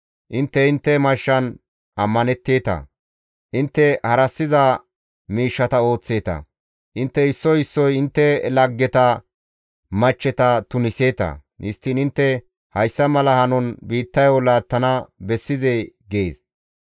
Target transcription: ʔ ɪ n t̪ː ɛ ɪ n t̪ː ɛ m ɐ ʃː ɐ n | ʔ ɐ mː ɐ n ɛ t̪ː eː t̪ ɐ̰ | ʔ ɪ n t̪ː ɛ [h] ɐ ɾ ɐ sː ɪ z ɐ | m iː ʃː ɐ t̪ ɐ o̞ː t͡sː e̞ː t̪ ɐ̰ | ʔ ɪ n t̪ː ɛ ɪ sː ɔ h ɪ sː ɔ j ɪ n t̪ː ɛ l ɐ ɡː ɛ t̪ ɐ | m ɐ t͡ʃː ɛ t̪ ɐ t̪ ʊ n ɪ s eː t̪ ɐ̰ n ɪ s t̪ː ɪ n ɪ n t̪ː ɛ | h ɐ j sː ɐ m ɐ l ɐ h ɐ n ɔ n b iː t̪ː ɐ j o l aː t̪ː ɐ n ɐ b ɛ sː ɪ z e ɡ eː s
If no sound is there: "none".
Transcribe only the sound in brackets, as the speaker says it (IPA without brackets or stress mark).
h